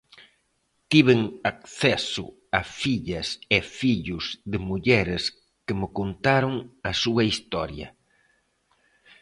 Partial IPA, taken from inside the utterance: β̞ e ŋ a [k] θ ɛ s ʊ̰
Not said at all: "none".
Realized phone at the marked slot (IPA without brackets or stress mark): k